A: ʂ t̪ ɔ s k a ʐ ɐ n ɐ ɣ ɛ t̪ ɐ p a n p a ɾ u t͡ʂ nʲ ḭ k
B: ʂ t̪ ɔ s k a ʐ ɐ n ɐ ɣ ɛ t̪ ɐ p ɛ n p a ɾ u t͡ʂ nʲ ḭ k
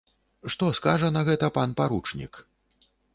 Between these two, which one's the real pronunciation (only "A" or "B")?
A